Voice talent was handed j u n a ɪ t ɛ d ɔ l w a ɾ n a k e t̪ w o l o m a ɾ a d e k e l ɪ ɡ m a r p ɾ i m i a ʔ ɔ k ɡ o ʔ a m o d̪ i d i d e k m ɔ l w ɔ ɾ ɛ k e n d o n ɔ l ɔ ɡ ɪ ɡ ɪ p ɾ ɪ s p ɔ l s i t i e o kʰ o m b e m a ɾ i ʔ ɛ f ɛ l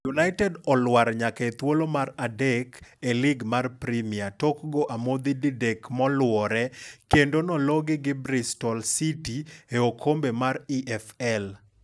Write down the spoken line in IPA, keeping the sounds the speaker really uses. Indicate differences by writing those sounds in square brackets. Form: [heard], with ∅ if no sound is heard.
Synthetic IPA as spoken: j u n a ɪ t ɛ d ɔ l w a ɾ [ɲ] a k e t̪ w o l o m a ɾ a d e k e l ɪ ɡ m a r p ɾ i m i a [t] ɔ k ɡ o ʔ a m o d̪ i d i d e k m ɔ l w ɔ ɾ ɛ k e n d o n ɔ l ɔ ɡ ɪ ɡ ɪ [b] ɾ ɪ s [t] ɔ l s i t i e o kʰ o m b e m a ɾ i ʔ ɛ f ɛ l